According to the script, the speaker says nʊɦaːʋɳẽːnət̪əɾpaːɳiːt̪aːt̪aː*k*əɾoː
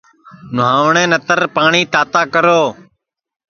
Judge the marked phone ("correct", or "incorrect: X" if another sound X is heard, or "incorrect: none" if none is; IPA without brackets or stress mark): correct